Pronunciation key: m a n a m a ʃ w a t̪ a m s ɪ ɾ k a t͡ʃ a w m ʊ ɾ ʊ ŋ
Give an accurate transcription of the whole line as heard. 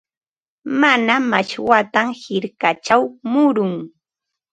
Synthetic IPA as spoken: m a n a m a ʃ w a t̪ a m h ɪ ɾ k a t͡ʃ a w m ʊ ɾ ʊ ŋ